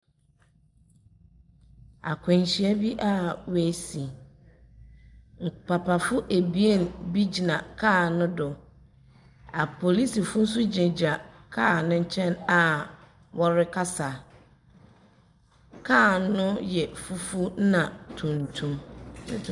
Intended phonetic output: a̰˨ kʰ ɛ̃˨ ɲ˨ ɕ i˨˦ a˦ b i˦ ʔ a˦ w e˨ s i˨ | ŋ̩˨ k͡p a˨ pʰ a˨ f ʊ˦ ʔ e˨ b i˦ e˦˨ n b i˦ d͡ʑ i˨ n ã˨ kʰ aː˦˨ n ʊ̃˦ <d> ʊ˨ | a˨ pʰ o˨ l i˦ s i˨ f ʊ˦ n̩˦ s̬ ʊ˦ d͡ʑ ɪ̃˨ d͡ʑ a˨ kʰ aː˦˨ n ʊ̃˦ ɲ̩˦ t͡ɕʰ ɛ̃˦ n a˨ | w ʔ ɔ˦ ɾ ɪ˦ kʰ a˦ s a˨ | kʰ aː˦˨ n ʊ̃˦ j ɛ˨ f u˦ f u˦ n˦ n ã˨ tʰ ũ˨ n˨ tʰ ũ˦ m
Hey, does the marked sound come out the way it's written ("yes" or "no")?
yes